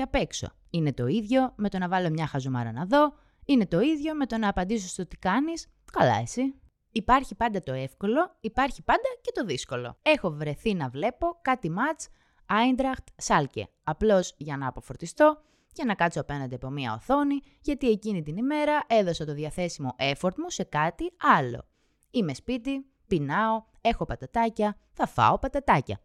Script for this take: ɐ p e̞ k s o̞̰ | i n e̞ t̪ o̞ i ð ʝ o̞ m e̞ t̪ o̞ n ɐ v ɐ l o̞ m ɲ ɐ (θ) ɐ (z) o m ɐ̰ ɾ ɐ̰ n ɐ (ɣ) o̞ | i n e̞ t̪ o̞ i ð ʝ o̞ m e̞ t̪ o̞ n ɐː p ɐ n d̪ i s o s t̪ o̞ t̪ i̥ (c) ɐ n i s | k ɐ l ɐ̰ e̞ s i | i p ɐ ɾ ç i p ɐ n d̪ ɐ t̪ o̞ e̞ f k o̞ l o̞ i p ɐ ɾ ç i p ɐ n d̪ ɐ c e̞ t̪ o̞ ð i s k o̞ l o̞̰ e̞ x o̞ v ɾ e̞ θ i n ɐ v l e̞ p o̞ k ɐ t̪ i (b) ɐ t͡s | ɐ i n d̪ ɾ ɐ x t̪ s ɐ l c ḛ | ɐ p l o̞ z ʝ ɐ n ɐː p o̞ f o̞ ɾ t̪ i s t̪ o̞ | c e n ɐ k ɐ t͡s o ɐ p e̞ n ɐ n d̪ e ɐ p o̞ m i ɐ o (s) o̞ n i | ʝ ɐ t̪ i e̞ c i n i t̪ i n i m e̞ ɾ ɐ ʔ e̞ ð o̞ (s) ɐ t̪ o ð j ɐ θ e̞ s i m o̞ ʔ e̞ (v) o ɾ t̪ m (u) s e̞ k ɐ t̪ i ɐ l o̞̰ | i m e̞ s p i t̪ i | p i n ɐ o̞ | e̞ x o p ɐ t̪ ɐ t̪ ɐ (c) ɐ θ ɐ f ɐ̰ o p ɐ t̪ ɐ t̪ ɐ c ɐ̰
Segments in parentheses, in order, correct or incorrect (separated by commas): incorrect, correct, incorrect, incorrect, incorrect, incorrect, correct, incorrect, correct, correct